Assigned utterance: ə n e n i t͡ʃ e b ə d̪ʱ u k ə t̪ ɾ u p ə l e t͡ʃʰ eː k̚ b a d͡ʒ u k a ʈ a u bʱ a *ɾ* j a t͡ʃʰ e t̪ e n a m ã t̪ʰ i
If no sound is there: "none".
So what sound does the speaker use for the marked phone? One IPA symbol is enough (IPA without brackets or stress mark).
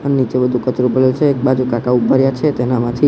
ɾ